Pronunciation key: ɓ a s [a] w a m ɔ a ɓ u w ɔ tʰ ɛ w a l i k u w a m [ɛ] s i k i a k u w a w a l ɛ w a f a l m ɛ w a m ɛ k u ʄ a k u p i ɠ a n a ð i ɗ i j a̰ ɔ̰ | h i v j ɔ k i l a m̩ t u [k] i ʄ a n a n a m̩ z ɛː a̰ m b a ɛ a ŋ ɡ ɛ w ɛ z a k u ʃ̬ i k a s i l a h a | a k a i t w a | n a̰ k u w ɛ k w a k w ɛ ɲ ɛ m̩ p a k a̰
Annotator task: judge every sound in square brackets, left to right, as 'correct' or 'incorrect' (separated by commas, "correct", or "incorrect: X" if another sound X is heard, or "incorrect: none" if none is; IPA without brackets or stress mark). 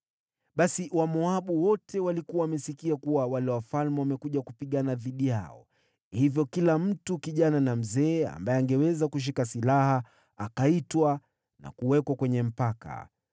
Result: incorrect: i, correct, correct